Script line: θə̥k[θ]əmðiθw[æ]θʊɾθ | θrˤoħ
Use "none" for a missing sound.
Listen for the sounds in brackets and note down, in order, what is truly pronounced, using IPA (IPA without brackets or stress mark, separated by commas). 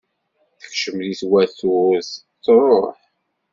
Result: ʃ, æ